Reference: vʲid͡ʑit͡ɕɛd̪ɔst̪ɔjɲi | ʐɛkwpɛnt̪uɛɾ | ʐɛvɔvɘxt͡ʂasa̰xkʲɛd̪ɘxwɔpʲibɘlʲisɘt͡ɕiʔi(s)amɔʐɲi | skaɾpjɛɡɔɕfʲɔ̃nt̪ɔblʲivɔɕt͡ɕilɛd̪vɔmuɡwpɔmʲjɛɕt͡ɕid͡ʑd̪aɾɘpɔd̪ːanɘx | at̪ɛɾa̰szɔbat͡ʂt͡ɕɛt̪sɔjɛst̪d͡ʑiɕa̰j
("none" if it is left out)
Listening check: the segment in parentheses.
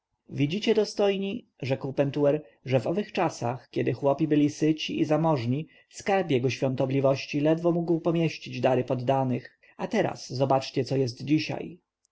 z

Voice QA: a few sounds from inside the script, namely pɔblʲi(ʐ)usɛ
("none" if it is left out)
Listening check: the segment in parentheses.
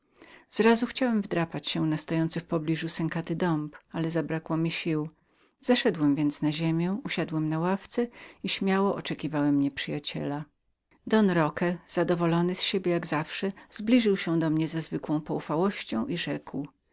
ʐ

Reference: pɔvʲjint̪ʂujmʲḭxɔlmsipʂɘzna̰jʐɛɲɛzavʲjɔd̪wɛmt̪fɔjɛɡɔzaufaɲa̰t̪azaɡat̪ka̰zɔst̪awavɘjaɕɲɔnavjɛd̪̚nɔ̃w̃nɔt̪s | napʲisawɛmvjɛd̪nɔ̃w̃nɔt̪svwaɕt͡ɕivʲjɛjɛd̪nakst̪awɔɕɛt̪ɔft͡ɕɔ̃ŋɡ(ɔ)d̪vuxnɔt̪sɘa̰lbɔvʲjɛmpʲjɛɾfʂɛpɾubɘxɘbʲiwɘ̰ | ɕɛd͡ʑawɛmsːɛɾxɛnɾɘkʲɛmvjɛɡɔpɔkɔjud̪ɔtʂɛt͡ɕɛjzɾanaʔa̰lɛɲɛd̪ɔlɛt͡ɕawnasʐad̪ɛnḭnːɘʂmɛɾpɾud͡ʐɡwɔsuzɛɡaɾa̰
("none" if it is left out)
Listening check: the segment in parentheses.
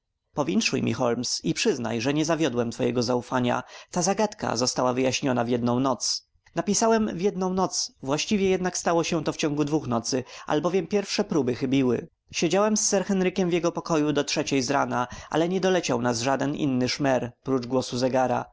u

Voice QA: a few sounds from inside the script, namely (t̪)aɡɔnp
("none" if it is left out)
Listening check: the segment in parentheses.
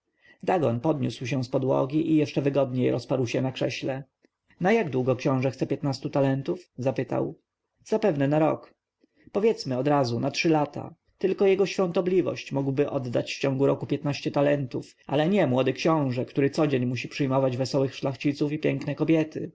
d̪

